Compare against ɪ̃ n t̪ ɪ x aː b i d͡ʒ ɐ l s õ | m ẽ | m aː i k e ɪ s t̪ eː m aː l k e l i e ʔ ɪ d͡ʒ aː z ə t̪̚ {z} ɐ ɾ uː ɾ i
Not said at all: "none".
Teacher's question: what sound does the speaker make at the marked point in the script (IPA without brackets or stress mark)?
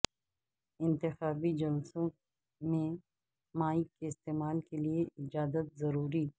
z